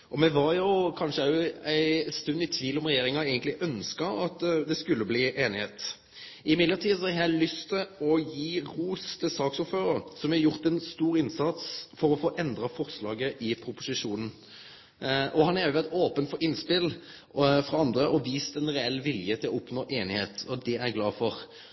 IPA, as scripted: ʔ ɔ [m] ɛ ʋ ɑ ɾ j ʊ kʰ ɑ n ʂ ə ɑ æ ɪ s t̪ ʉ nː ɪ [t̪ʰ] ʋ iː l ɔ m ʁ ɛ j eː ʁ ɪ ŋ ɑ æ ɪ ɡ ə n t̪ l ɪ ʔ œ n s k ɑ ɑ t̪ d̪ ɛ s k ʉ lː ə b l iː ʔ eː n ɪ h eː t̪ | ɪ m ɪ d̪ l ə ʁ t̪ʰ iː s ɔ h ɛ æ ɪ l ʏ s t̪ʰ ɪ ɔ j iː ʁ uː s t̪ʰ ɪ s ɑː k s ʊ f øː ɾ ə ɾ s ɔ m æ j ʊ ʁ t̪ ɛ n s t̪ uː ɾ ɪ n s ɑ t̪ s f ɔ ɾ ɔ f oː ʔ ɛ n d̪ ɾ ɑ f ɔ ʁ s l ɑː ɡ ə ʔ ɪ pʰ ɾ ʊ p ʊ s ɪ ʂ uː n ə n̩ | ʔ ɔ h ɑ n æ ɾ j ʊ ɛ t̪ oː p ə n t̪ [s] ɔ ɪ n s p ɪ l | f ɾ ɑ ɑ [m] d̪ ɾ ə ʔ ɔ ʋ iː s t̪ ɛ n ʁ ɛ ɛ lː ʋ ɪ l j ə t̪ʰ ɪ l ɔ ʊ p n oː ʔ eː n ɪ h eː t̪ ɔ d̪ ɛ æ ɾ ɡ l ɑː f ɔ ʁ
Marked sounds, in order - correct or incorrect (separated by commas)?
correct, correct, incorrect, incorrect